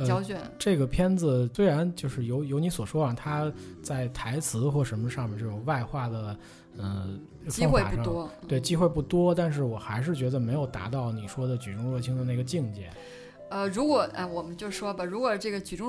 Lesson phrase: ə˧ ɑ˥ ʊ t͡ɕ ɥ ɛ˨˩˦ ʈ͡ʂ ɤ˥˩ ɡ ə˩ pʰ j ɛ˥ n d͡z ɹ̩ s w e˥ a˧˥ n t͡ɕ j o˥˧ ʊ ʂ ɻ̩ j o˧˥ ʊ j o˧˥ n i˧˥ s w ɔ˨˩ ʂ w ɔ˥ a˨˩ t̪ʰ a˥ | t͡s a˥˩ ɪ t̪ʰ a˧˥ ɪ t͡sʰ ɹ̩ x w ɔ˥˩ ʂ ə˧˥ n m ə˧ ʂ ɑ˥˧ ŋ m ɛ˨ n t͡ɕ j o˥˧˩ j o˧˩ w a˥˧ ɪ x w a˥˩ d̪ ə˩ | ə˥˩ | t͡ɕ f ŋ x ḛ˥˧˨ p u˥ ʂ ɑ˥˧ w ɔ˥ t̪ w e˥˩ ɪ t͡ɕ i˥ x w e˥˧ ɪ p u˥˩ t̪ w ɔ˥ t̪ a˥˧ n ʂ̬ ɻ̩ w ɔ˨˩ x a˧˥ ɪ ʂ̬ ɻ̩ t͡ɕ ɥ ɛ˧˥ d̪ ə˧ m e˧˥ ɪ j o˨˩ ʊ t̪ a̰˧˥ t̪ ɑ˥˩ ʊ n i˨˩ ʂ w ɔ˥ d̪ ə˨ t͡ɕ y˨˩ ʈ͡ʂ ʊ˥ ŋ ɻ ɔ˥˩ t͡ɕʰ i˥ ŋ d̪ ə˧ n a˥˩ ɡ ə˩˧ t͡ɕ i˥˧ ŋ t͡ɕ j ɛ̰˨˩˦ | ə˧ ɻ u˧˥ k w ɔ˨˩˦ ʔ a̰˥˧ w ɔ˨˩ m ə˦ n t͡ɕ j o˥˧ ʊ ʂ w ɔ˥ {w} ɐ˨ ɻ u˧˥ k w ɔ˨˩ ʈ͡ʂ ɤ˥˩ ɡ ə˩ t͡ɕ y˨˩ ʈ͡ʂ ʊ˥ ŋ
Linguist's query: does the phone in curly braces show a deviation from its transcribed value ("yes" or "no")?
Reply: yes